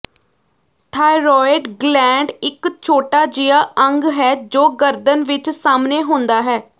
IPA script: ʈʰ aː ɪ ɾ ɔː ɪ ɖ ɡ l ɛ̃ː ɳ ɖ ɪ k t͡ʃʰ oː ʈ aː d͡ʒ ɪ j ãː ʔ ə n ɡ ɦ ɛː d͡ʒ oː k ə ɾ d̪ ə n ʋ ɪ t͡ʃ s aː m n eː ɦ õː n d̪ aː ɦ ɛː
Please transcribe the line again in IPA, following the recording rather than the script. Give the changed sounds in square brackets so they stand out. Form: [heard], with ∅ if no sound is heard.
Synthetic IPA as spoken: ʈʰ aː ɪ ɾ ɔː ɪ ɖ ɡ l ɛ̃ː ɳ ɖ ɪ k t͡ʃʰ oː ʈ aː d͡ʒ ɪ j [aː] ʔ ə [ŋ] ɡ ɦ ɛː d͡ʒ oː [ɡ] ə ɾ d̪ ə n ʋ ɪ t͡ʃ s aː m n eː ɦ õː n d̪ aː ɦ ɛː